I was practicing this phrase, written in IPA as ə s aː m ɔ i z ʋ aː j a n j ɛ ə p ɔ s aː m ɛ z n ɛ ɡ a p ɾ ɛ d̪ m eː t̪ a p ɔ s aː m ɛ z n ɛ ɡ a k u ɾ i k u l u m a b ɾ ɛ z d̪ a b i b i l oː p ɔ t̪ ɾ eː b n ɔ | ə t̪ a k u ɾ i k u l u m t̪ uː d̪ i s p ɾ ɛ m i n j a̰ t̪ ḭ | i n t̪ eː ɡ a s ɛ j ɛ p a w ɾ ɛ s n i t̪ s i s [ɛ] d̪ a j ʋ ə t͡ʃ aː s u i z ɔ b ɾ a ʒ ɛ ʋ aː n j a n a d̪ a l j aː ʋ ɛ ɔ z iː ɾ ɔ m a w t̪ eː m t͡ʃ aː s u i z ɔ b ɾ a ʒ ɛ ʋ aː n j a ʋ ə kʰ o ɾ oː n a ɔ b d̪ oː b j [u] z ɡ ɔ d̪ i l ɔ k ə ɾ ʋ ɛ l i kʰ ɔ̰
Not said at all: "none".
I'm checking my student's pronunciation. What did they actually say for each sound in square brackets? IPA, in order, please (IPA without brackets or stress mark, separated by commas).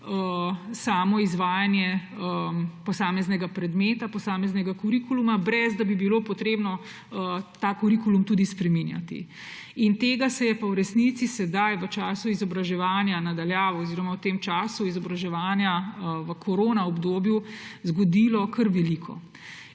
ɛ, u